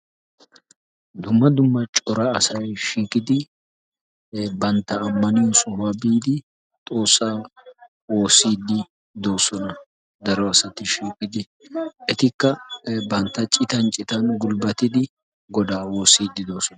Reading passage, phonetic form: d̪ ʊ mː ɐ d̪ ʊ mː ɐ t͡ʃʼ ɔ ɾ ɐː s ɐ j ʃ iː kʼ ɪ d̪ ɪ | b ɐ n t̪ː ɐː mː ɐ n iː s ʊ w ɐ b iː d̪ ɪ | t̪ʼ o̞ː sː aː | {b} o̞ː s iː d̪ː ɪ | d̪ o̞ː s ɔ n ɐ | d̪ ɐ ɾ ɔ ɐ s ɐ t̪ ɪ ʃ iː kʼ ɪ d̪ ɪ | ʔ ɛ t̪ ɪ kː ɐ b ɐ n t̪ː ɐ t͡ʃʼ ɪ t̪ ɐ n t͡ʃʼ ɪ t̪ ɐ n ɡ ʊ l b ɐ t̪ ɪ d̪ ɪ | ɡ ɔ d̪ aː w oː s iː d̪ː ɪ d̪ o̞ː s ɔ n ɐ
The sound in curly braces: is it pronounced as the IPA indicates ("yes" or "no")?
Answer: no